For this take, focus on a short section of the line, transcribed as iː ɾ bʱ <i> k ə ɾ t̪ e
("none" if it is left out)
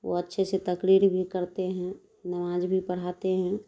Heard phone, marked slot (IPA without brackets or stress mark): i